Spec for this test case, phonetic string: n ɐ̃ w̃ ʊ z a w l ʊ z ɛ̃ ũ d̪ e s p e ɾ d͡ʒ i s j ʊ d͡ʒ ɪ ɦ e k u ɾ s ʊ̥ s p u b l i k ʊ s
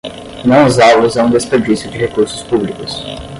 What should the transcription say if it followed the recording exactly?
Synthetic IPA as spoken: n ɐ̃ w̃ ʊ z a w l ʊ z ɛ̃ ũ d̪ e s p e ɾ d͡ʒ i s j ʊ d͡ʒ ɪ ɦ e k u ɾ s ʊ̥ s p u b l i k ʊ s